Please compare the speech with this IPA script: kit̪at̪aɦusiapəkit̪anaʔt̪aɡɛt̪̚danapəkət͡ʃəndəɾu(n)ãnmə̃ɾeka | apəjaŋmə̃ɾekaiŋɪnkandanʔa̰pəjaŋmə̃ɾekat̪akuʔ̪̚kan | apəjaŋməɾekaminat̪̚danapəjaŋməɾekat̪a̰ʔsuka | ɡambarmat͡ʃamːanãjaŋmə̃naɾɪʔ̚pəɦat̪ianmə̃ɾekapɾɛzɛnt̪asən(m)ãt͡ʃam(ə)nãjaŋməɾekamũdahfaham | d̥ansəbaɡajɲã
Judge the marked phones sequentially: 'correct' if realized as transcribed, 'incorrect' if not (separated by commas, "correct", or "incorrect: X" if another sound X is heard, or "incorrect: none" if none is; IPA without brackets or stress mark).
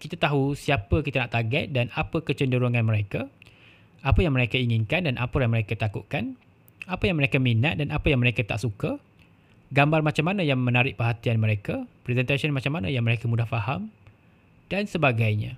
incorrect: ŋ, correct, incorrect: a